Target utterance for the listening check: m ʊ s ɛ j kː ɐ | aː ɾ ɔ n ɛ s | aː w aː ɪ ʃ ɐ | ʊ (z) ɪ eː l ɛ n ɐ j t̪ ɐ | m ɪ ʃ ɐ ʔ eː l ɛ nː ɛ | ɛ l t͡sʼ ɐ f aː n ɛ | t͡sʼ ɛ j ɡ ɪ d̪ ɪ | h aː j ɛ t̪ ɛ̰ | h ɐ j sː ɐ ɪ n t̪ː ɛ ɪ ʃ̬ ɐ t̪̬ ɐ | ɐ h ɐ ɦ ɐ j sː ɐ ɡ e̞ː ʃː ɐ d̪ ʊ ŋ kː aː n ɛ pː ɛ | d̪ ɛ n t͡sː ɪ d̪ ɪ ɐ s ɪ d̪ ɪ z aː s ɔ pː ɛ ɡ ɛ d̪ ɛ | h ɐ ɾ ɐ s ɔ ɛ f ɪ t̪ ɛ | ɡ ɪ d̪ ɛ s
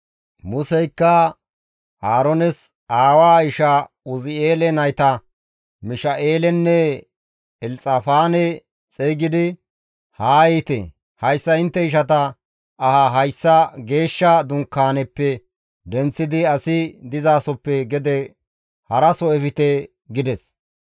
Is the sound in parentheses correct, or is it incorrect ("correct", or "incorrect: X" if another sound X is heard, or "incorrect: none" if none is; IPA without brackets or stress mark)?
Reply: correct